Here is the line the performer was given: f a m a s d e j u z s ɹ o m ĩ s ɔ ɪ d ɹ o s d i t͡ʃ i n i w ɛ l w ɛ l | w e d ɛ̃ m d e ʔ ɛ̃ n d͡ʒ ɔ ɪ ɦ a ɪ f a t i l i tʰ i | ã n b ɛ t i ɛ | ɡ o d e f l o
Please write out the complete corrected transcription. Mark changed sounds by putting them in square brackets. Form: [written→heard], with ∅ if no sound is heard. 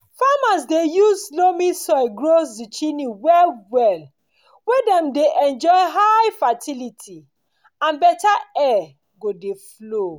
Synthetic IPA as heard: f a m a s d e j u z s [ɹ→l] o m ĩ s ɔ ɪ [d→ɡ] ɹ o s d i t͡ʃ i n i w ɛ l w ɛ l | w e d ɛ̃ m d e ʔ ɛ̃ n d͡ʒ ɔ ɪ ɦ a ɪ f a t i l i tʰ i | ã n b ɛ t [i→a] ɛ | ɡ o d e f l o

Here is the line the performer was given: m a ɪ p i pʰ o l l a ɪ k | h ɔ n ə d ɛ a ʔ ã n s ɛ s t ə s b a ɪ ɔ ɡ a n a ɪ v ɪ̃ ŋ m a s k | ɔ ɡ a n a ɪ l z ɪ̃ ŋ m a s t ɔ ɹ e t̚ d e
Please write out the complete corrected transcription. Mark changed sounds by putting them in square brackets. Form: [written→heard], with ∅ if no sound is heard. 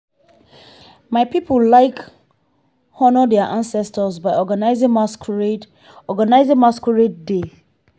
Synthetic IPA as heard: m a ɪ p i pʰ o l l a ɪ k | h ɔ n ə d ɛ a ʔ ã n s ɛ s t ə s b a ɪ ɔ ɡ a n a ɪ [v→z] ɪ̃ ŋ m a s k | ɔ ɡ a n a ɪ [l→∅] z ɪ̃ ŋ m a s [t→k] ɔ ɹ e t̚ d e

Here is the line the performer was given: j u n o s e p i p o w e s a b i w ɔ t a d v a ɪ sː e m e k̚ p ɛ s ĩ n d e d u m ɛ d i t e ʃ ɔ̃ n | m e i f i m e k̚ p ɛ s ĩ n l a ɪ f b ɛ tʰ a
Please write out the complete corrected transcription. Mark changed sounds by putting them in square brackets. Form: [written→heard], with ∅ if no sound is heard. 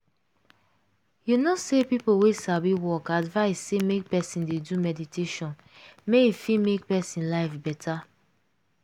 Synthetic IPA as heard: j u n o s e p i p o w e s a b i w ɔ [t→k] a d v a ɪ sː e m e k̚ p ɛ s ĩ n d e d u m ɛ d i t e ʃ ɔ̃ n | m e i f i m e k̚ p ɛ s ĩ n l a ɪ f b ɛ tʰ a

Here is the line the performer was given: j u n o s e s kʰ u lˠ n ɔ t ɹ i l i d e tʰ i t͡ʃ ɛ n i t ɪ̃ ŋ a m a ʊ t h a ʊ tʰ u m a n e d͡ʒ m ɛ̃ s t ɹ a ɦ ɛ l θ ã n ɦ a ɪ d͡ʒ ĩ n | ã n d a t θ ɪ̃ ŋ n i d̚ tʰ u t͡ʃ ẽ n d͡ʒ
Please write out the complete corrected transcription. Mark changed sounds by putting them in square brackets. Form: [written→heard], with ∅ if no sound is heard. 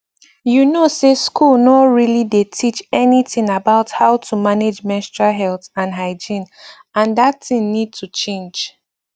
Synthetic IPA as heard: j u n o s e s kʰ u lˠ n ɔ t ɹ i l i d e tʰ i t͡ʃ ɛ n i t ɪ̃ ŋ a [m→b] a ʊ t h a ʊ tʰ u m a n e d͡ʒ m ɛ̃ s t ɹ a ɦ ɛ l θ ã n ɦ a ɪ d͡ʒ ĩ n | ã n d a t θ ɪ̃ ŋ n i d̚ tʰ u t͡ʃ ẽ n d͡ʒ

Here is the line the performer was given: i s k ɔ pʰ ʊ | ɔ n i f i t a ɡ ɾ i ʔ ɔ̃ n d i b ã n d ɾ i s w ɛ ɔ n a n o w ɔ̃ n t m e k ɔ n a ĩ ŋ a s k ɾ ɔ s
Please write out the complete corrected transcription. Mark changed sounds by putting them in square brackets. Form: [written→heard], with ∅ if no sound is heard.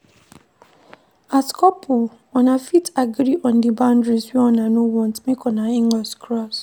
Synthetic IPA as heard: [i→a] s k ɔ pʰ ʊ | ɔ n [i→a] f i t a ɡ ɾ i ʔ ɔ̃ n d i b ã n d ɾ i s w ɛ ɔ n a n o w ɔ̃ n t m e k ɔ n a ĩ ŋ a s k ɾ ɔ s

